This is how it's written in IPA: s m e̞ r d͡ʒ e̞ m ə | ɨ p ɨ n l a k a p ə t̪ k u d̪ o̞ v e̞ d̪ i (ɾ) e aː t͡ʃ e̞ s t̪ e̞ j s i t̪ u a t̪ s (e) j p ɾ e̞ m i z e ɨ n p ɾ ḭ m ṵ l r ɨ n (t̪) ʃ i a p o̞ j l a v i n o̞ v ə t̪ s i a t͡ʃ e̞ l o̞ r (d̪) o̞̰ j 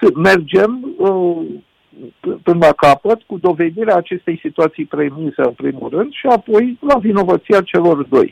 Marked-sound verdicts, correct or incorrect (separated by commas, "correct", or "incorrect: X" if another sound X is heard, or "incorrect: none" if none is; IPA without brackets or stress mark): correct, incorrect: i, incorrect: d̪, correct